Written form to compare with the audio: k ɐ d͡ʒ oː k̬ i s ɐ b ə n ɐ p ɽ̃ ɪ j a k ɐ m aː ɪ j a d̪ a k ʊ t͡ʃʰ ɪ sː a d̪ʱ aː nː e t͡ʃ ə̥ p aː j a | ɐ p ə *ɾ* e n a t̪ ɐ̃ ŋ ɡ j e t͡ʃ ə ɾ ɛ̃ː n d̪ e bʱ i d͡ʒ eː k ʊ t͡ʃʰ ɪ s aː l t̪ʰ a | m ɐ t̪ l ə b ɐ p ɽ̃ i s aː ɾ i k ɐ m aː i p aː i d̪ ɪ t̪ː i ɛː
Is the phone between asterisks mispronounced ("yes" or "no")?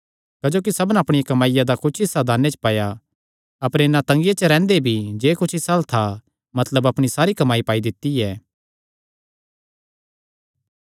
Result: no